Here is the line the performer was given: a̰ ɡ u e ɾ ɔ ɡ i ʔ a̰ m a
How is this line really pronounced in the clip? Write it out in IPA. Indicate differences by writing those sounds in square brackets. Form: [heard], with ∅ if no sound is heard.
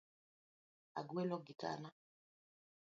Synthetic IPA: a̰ ɡ [w] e [l] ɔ ɡ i [t] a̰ [n] a